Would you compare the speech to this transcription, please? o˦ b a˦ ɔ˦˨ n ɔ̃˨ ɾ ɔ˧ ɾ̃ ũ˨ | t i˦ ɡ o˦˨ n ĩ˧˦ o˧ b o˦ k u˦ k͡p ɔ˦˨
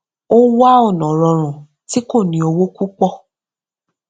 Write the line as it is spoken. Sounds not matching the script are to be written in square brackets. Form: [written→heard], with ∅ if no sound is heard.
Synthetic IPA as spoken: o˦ [b→w] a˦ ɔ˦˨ n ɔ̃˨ ɾ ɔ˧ ɾ̃ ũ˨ | t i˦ [ɡ→k] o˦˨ n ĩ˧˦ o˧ [b→w] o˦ k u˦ k͡p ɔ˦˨